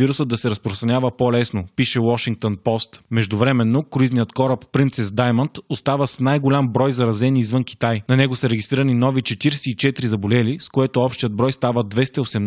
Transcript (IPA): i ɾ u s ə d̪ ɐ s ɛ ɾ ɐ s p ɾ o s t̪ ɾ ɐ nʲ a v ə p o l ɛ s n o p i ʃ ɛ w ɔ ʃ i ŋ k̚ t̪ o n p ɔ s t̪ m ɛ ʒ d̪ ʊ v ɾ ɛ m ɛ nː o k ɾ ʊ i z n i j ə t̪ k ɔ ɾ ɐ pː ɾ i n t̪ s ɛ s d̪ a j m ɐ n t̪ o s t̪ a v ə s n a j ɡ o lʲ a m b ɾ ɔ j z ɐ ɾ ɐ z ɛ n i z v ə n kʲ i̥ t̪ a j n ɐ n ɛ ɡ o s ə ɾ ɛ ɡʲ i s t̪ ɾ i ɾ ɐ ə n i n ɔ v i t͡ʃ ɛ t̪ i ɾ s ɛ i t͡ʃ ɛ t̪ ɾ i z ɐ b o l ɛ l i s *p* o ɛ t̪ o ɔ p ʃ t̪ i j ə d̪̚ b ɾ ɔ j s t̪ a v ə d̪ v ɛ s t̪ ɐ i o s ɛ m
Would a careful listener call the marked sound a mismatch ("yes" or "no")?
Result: yes